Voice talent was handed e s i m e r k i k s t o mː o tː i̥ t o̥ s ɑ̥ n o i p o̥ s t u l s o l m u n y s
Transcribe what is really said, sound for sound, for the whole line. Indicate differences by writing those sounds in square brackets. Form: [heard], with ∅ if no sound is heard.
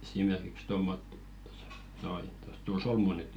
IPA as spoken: e s i m e r k i k s t o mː o tː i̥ t o̥ s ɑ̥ n o i [t] o̥ s t u l s o l m u n y [t]